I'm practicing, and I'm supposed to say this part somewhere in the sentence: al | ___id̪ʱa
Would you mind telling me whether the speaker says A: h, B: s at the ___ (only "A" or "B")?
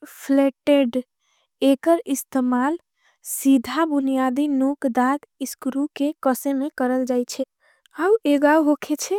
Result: B